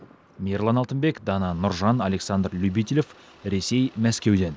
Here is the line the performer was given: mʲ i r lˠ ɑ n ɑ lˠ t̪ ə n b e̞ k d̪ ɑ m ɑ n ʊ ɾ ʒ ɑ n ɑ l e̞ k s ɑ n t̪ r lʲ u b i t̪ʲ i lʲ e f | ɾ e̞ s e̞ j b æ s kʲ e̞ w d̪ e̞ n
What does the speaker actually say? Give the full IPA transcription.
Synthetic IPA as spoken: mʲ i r lˠ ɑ n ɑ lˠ t̪ ə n b e̞ k d̪ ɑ n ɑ n ʊ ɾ ʒ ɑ n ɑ l e̞ k s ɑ n d̪ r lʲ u b i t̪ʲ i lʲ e f | ɾ e̞ s e̞ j m æ s kʲ e̞ w d̪ e̞ n

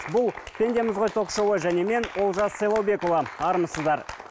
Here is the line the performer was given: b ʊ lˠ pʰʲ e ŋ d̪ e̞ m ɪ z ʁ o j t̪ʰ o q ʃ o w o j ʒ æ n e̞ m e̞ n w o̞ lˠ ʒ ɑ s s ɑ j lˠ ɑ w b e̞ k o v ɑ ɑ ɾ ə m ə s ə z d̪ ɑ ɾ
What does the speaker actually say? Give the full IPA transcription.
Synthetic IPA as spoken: b ʊ lˠ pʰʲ e n d̪ e̞ m ɪ z ʁ o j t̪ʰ o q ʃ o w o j ʒ æ n e̞ m e̞ n w o̞ lˠ ʒ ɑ s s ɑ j lˠ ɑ w b e̞ k o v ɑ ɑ ɾ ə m ə s ə z d̪ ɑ ɾ

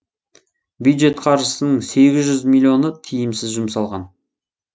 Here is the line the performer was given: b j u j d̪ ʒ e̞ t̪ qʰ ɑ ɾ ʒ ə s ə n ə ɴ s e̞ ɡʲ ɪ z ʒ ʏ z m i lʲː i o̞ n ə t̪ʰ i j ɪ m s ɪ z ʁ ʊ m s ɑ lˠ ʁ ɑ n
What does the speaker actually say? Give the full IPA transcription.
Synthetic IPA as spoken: b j u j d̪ ʒ e̞ t̪ qʰ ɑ ɾ ʒ ə s ə n ə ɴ s e̞ ɡʲ ɪ z ʒ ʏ z m i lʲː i o̞ n ə t̪ʰ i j ɪ m s ɪ z ʒ ʊ m s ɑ lˠ ʁ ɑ n

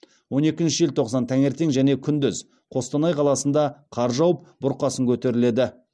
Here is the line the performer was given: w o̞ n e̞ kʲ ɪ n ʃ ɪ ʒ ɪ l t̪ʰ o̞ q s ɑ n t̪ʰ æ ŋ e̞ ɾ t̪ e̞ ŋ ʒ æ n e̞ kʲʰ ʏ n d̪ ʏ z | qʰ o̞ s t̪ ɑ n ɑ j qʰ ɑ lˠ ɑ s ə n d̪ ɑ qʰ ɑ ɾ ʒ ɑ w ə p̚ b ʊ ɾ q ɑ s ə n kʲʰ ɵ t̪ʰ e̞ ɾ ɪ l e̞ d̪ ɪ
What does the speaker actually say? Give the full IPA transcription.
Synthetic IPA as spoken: w o̞ n e̞ kʲ ɪ n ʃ ɪ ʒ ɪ l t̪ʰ o̞ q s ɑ n t̪ʰ æ ŋ e̞ ɾ t̪ e̞ ŋ ʒ æ n e̞ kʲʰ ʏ n d̪ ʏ z | qʰ o̞ s t̪ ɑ n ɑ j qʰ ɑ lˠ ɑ s ə n d̪ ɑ qʰ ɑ ɾ ʒ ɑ w ə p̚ b ʊ ɾ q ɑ s ə ŋ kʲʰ ɵ t̪ e̞ ɾ ɪ l e̞ d̪ ɪ

